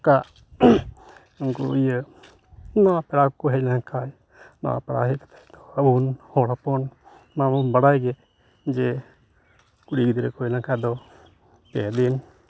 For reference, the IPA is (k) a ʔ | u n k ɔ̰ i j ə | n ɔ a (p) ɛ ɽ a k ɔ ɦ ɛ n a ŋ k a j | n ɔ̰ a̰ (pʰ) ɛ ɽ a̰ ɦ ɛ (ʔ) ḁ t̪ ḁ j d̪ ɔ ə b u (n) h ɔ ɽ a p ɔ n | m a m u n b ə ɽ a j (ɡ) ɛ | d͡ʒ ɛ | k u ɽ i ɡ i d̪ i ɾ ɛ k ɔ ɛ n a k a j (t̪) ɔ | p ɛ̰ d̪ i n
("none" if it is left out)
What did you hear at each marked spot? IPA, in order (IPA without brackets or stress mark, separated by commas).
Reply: k, p, p, k, n, ɡ, d̪